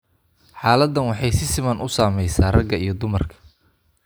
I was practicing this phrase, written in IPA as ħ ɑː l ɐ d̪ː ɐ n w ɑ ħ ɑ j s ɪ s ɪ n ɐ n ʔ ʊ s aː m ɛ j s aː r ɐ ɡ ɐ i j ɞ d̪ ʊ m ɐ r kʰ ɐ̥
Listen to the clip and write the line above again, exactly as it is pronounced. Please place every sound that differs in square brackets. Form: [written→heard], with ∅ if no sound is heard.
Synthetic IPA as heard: ħ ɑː l ɐ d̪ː ɐ n w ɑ ħ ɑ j s ɪ s ɪ [n→m] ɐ n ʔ ʊ s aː m ɛ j s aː r ɐ ɡ ɐ i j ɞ d̪ ʊ m ɐ r kʰ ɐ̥